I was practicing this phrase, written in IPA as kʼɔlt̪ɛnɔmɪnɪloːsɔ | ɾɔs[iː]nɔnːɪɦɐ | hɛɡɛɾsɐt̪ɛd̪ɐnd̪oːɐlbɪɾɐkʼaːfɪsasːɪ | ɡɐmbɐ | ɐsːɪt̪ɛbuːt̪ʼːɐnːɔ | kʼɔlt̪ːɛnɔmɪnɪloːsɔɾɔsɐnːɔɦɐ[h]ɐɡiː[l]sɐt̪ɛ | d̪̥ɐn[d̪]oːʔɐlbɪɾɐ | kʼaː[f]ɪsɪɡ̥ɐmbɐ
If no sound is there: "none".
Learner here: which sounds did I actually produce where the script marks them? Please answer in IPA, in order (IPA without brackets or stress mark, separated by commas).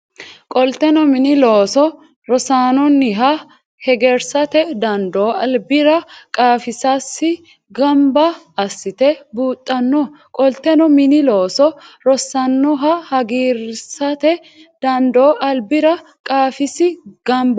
aː, h, ɾ, d̪, f